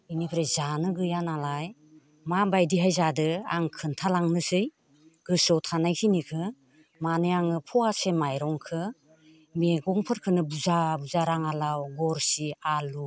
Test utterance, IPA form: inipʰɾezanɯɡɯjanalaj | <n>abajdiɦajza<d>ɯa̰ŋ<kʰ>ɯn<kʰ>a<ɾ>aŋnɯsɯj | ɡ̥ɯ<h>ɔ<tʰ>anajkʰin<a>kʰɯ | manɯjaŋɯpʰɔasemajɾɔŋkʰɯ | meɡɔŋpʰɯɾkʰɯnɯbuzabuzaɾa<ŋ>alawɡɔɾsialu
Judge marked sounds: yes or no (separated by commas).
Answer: no, yes, yes, no, no, no, yes, no, yes